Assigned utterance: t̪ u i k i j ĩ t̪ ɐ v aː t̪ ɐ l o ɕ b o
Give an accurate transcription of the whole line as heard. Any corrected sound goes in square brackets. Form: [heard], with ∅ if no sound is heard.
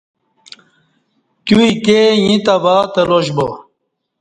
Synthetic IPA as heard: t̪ u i k [e] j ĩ t̪ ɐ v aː t̪ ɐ l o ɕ b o